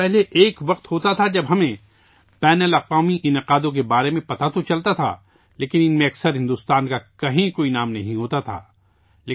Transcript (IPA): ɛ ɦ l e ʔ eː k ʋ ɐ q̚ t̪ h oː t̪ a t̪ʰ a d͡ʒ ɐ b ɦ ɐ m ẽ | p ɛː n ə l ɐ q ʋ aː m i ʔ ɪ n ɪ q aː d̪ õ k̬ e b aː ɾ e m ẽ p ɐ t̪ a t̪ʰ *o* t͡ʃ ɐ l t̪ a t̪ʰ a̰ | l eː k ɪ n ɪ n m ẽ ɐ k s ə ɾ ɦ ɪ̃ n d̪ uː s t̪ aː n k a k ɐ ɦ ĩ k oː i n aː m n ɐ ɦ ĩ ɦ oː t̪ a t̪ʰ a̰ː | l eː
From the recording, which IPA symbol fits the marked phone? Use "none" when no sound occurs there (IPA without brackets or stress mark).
o